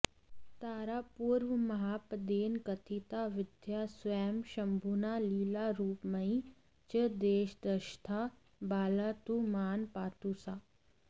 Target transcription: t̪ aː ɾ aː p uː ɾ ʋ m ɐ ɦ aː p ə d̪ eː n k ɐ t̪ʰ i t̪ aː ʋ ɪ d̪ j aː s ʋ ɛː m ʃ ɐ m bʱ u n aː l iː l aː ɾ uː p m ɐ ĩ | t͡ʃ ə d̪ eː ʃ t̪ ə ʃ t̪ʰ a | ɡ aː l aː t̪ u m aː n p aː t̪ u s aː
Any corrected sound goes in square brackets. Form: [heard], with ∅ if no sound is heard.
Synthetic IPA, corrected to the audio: t̪ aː ɾ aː p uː ɾ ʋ m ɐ ɦ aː p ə d̪ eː n k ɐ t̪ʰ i t̪ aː ʋ ɪ d̪ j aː s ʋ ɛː m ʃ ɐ m bʱ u n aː l iː l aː ɾ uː p m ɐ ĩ | t͡ʃ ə d̪ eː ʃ [d̪] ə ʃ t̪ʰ a | [b] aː l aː t̪ u m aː n p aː t̪ u s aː